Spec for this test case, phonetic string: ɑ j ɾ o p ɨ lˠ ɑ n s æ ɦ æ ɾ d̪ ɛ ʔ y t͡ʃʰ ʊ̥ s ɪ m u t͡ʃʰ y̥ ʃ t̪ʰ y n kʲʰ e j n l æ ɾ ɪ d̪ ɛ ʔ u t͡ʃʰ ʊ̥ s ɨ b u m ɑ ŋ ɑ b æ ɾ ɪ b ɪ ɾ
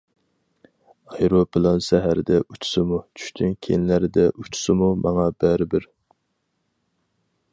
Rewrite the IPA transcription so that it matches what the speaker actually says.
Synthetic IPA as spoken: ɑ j ɾ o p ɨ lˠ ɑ n s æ ɦ æ ɾ d̪ ɛ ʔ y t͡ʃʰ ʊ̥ s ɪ m u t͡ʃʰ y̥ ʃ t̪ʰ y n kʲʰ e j n l æ ɾ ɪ d̪ ɛ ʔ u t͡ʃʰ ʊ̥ s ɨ m u m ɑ ŋ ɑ b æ ɾ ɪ b ɪ ɾ